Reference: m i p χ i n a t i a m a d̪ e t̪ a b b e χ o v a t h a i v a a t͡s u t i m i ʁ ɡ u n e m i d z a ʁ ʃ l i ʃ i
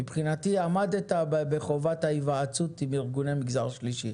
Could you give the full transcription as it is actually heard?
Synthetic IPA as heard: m i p χ i n a t i a m a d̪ e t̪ a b b e χ o v a t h a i v a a t͡s u t i m i ʁ ɡ u n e m i ɡ z a ʁ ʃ l i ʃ i